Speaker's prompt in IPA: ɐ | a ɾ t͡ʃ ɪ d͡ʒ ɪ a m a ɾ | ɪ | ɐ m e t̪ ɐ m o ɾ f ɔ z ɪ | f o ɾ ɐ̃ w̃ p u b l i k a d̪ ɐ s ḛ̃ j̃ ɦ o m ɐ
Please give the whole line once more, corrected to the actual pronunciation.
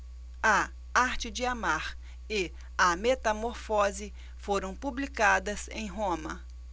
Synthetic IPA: ɐ | a ɾ t͡ʃ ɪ d͡ʒ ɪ a m a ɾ | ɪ | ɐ m e t̪ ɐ m o ɾ f ɔ z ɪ | f o ɾ ɐ̃ w̃ p u b l i k a d̪ ɐ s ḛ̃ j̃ ɦ õ m ɐ

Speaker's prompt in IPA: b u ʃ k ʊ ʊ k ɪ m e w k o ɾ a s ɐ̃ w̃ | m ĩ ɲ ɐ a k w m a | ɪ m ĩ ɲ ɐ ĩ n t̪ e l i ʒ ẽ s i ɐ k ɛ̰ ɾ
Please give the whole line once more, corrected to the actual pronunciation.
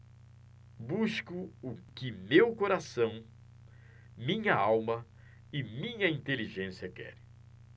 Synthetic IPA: b u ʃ k ʊ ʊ k ɪ m e w k o ɾ a s ɐ̃ w̃ | m ĩ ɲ ɐ a w m ɐ | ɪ m ĩ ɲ ɐ ĩ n t̪ e l i ʒ ẽ s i ɐ k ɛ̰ ɾ

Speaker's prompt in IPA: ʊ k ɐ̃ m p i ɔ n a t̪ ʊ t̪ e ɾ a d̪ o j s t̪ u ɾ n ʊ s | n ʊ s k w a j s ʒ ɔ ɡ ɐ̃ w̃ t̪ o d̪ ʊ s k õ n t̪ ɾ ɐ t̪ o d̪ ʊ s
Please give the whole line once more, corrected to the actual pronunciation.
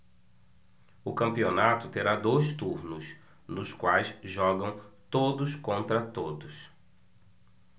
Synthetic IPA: ʊ k ɐ̃ m p i o n a t̪ ʊ t̪ e ɾ a d̪ o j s t̪ u ɾ n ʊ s | n ʊ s k w a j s ʒ ɔ ɡ ɐ̃ w̃ t̪ o d̪ ʊ s k õ n t̪ ɾ ɐ t̪ o d̪ ʊ s

